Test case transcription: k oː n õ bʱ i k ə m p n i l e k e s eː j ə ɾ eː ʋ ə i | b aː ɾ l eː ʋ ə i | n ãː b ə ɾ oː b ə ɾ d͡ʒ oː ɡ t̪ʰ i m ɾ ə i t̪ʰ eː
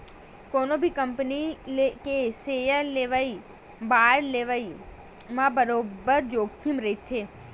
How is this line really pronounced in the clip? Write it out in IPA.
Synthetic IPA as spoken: k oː n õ bʱ i k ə m p n i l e k e s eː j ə l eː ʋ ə i | b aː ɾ l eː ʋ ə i | m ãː b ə ɾ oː b ə ɾ d͡ʒ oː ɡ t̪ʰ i m ɾ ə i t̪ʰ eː